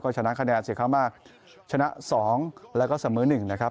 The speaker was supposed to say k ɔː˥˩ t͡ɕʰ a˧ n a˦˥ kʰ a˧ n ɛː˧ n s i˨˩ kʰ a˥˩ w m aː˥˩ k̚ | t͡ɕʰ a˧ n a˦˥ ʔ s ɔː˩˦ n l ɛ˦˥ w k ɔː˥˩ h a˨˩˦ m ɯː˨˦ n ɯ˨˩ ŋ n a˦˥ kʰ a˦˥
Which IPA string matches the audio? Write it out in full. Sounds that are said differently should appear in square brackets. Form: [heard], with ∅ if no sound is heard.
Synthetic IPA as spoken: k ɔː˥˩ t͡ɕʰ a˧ n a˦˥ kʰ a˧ n ɛː˧ n s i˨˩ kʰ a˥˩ w m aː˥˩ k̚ | t͡ɕʰ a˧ n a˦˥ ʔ s ɔː˩˦ [ŋ] l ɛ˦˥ w k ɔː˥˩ [s] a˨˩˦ m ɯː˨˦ n ɯ˨˩ ŋ n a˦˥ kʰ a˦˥